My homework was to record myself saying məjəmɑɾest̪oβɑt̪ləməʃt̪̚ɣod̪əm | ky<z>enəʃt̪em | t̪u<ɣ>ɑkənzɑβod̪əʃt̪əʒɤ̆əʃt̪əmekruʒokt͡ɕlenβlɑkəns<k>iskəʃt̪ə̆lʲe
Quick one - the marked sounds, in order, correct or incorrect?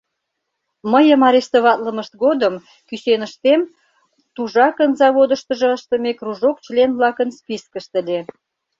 incorrect: s, incorrect: ʒ, incorrect: p

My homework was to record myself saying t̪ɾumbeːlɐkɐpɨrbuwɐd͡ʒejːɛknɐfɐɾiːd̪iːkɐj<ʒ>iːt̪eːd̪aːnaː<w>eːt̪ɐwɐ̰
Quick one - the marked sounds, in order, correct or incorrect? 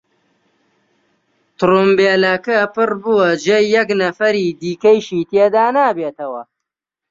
incorrect: ʃ, incorrect: b

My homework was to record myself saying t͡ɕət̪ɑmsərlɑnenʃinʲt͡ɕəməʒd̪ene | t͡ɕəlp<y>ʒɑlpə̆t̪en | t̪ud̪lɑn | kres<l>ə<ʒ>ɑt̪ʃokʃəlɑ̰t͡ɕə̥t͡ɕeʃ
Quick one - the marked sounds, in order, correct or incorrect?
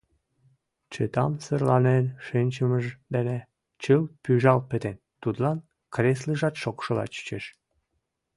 correct, correct, correct

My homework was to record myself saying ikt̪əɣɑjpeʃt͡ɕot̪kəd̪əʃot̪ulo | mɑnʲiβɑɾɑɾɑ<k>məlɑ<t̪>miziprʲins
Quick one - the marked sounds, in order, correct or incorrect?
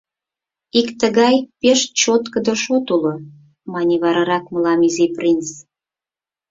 correct, incorrect: none

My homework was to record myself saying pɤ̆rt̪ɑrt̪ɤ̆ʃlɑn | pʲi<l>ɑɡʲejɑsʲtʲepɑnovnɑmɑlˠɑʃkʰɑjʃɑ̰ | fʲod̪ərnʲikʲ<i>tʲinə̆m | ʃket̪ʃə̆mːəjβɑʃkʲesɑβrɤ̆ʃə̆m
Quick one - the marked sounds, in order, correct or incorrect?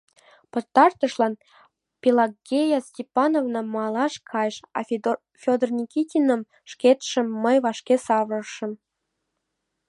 correct, correct

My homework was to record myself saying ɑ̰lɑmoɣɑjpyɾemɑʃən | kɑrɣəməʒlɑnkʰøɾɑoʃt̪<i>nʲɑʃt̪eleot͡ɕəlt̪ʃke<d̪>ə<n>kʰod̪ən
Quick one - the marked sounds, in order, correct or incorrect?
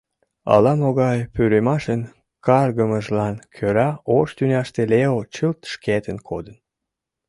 incorrect: y, incorrect: t̪, correct

